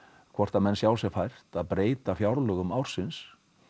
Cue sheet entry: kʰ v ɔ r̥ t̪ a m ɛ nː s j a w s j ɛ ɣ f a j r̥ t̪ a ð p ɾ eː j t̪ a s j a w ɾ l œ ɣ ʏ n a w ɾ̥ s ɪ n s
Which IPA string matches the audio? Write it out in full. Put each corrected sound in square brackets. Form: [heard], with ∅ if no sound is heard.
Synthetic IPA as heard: kʰ v ɔ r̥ t̪ a m ɛ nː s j a w s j ɛ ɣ f a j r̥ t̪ a ð p ɾ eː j t̪ a [f] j a w ɾ l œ ɣ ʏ [m] a w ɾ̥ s ɪ n s